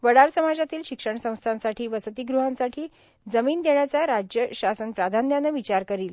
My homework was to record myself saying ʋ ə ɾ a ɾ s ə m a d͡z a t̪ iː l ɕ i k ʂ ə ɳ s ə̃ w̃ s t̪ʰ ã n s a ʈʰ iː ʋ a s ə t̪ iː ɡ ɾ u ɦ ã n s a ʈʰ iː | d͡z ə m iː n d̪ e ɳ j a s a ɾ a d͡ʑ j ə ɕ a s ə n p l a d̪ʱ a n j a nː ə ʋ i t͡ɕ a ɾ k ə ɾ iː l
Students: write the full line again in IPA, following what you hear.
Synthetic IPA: ʋ ə ɽ a ɾ s ə m a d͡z a t̪ iː l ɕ i k ʂ ə ɳ s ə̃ w̃ s t̪ʰ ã n s a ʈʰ iː ʋ ə s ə t̪ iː ɡ ɾ u ɦ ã n s a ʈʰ iː | d͡z ə m iː n d̪ e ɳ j a t͡s a ɾ a d͡ʑ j ə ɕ a s ə n p ɾ a d̪ʱ a n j a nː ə ʋ i t͡ɕ a ɾ k ə ɾ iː l